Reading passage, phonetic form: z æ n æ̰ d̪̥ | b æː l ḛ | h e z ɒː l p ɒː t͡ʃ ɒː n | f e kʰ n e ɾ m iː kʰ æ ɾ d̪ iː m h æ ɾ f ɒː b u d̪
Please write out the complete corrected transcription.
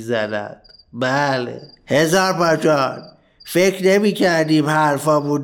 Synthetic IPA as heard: z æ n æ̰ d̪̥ | b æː l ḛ | h e z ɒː ɾ p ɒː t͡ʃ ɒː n | f e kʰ n e m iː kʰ æ ɾ d̪ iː m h æ ɾ f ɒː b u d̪